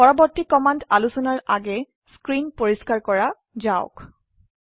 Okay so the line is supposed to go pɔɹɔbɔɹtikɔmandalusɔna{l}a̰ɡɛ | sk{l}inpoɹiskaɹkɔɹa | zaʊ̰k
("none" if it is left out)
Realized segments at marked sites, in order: ɹ, ɹ

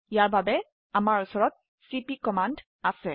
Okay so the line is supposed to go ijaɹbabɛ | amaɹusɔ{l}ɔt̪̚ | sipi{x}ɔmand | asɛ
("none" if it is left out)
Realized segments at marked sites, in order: ɹ, k

